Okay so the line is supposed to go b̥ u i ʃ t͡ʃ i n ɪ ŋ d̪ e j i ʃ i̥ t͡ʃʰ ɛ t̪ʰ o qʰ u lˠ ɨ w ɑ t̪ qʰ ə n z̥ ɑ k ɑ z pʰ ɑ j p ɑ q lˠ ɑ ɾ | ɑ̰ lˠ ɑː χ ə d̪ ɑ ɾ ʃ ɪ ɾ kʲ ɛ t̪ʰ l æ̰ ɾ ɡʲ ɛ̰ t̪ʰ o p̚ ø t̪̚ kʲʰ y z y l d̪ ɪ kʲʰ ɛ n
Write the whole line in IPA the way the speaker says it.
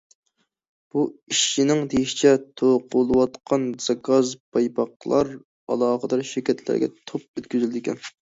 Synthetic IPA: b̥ u i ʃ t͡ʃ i n ɪ ŋ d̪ e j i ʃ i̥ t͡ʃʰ ɛ t̪ʰ o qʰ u lˠ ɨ w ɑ t̪ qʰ ɑ n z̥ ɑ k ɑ z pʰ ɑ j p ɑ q lˠ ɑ ɾ | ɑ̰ lˠ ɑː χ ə d̪ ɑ ɾ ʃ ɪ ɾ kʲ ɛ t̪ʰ l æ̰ ɾ ɡʲ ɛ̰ t̪ʰ o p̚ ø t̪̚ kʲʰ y z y l d̪ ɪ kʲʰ ɛ n